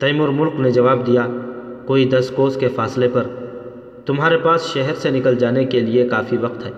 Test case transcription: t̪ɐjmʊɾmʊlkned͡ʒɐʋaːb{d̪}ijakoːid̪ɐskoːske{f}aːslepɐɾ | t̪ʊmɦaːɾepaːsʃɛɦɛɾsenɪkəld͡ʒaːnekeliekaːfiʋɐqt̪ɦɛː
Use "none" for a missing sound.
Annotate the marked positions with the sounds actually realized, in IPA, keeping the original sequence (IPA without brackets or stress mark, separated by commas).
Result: d̪, f